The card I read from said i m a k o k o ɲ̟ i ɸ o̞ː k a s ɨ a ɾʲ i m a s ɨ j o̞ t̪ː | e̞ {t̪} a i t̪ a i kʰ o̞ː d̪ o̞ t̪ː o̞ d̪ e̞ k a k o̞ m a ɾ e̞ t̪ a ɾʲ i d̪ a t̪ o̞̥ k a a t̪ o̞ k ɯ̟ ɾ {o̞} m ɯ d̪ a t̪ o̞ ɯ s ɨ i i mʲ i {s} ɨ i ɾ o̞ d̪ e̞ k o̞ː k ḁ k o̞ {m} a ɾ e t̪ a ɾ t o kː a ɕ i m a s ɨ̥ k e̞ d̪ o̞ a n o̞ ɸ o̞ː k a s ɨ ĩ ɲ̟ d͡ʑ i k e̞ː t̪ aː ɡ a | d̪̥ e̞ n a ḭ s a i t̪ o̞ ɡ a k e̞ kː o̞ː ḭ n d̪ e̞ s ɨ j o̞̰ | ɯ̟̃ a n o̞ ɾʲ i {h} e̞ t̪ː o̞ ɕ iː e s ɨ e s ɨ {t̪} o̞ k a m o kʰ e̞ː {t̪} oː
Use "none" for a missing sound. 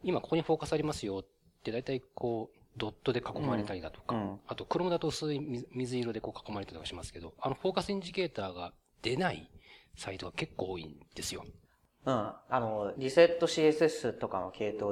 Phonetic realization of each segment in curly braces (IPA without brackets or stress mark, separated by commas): d̪, o̞, z, m, s, t̪, t̪